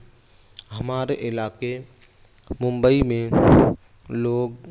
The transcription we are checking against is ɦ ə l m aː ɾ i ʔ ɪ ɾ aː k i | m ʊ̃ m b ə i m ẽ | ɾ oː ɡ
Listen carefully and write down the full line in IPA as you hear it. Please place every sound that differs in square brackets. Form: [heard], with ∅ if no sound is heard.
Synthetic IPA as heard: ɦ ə [∅] m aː ɾ [e] ʔ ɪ [l] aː k [e] | m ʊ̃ m b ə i m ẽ | [l] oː ɡ